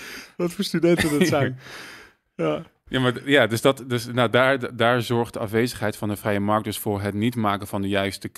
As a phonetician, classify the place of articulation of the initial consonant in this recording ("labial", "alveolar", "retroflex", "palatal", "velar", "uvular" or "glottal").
labial